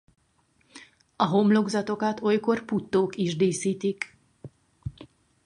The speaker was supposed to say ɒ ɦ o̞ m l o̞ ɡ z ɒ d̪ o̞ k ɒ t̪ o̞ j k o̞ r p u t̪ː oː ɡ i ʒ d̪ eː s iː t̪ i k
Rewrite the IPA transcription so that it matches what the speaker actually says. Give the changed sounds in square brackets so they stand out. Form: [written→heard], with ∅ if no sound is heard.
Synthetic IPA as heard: ɒ ɦ o̞ m l o̞ ɡ z ɒ [d̪→t̪] o̞ k ɒ t̪ o̞ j k o̞ r p u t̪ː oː [ɡ→k] i ʒ d̪ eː s iː t̪ i k

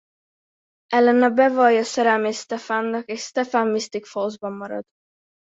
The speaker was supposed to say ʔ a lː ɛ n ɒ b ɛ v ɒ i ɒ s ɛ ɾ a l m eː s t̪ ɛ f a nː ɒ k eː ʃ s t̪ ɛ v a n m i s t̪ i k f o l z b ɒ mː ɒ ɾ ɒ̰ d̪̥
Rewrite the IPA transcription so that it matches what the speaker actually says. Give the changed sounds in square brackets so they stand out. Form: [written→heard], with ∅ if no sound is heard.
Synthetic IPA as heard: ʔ [a→ɛ] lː ɛ n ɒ b ɛ v ɒ [i→j] ɒ s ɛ ɾ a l m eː s t̪ ɛ f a nː ɒ k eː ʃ s t̪ ɛ [v→f] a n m i s t̪ i k f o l z b ɒ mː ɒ ɾ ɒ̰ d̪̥

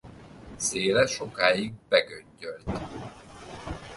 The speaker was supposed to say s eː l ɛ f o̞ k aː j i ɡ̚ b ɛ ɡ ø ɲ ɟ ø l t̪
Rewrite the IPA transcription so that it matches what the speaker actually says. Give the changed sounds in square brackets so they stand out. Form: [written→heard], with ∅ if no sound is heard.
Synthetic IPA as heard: s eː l ɛ [f→ʃ] o̞ k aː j i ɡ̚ b ɛ ɡ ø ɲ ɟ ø l t̪

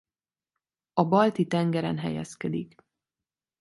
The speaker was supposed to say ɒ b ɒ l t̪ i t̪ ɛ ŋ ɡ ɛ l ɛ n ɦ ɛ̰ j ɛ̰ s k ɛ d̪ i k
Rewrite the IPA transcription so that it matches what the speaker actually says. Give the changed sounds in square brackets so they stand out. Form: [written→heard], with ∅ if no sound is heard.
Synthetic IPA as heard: ɒ b ɒ l t̪ i t̪ ɛ ŋ ɡ ɛ [l→ɾ] ɛ n ɦ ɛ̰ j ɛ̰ s k ɛ d̪ i k

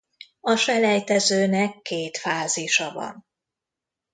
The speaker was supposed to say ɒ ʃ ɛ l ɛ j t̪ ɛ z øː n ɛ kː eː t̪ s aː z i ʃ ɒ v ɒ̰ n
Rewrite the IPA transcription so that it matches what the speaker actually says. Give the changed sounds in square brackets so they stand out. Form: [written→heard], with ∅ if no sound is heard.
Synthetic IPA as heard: ɒ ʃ ɛ l ɛ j t̪ ɛ z øː n ɛ kː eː t̪ [s→f] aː z i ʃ ɒ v ɒ̰ n

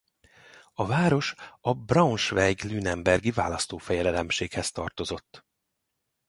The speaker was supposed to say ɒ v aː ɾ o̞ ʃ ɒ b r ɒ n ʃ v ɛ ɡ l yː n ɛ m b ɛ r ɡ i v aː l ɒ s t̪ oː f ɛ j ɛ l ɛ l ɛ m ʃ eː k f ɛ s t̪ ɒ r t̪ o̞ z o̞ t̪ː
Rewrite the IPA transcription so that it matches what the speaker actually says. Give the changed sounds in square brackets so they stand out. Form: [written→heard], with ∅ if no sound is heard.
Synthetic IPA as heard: ɒ v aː ɾ o̞ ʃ ɒ b r ɒ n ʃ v ɛ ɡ l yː n ɛ m b ɛ r ɡ i v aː l ɒ s t̪ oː f ɛ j ɛ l ɛ l ɛ m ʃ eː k [f→h] ɛ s t̪ ɒ r t̪ o̞ z o̞ t̪ː

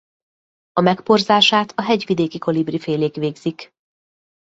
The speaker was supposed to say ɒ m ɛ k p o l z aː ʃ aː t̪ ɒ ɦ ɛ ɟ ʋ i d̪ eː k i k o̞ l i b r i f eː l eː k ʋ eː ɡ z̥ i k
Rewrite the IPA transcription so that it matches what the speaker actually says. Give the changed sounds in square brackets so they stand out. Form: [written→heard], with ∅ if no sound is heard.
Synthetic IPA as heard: ɒ m ɛ k p o [l→r] z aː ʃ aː t̪ ɒ ɦ ɛ ɟ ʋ i d̪ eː k i k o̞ l i b r i f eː l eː k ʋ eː ɡ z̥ i k

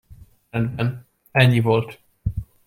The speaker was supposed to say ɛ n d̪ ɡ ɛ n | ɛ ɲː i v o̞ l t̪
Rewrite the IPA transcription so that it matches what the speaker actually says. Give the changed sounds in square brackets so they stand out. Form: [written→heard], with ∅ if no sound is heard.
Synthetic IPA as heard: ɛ n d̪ [ɡ→b] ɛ n | ɛ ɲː i v o̞ l t̪

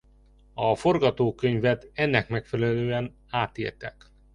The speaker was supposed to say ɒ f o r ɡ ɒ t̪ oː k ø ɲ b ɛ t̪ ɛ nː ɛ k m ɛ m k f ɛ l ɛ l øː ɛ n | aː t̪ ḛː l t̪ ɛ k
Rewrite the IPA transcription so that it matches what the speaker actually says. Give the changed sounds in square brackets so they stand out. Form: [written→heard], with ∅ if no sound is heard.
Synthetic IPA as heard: ɒ f o r ɡ ɒ t̪ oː k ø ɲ [b→v] ɛ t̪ ɛ nː ɛ k m ɛ [m→∅] k f ɛ l ɛ l øː ɛ n | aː t̪ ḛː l t̪ ɛ k

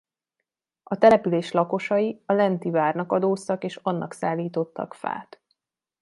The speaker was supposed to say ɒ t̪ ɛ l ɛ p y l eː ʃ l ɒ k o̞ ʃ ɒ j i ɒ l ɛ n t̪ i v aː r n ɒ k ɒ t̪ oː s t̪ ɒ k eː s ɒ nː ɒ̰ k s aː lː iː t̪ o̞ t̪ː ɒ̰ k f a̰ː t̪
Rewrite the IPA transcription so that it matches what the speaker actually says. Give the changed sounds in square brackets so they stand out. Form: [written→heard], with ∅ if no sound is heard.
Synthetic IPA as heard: ɒ t̪ ɛ l ɛ p y l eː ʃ l ɒ k o̞ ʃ ɒ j i ɒ l ɛ n t̪ i v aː r n ɒ k ɒ [t̪→d̪] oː s t̪ ɒ k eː [s→ʃ] ɒ nː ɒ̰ k s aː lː iː t̪ o̞ t̪ː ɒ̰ k f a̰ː t̪

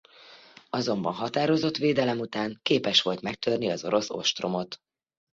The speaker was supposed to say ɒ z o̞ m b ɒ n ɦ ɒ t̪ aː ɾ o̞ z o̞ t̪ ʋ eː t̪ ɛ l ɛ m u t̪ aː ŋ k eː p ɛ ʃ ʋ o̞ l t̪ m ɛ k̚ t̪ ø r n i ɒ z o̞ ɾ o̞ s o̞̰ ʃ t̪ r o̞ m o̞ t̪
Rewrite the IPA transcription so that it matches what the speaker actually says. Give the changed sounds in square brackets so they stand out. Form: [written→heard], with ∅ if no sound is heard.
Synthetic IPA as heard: ɒ z o̞ m b ɒ n ɦ ɒ t̪ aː ɾ o̞ z o̞ t̪ ʋ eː [t̪→d̪] ɛ l ɛ m u t̪ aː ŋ k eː p ɛ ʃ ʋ o̞ l t̪ m ɛ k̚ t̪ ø r n i ɒ z o̞ ɾ o̞ s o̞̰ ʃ t̪ r o̞ m o̞ t̪

